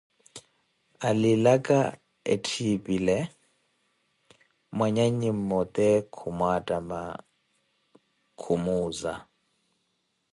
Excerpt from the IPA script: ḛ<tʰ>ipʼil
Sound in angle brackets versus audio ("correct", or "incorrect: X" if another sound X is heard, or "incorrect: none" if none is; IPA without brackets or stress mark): correct